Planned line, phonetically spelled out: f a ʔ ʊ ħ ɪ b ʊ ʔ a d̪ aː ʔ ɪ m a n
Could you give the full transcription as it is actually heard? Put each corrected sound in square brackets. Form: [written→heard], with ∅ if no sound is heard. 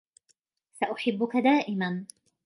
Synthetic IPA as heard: [f→s] a ʔ ʊ ħ ɪ [b→bː] ʊ [ʔ→k] a d̪ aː ʔ ɪ m a n